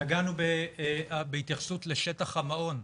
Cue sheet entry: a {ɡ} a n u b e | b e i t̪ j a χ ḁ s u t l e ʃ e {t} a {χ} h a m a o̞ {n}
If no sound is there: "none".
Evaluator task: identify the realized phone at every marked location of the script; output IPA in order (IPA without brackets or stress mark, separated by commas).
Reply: ɡ, t, χ, n